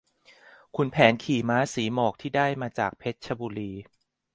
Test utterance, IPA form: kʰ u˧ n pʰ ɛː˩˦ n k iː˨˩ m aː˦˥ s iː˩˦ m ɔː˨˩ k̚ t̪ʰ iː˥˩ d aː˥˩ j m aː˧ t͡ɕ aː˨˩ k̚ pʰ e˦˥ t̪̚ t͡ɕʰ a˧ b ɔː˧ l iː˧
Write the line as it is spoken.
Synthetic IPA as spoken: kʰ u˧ n pʰ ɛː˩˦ n kʰ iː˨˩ m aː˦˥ s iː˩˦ m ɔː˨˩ k̚ t̪ʰ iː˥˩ d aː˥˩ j m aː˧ t͡ɕ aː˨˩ k̚ pʰ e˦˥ t̪̚ t͡ɕʰ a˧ b uː˧ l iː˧